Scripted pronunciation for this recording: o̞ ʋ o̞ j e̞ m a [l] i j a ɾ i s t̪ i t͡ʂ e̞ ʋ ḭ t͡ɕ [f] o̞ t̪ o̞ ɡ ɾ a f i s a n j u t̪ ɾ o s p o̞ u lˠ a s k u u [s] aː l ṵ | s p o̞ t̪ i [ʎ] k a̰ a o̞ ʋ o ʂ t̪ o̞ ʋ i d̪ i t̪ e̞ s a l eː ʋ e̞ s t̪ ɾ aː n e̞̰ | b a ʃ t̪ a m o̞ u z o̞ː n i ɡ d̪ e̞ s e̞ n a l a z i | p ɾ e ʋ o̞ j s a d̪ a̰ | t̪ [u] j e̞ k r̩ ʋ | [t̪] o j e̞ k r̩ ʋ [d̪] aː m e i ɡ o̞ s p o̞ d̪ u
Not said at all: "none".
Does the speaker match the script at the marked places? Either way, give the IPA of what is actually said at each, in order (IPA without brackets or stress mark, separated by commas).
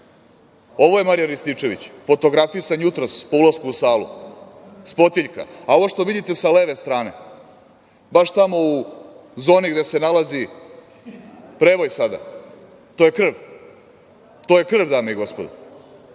ɾ, f, s, ʎ, o, t̪, d̪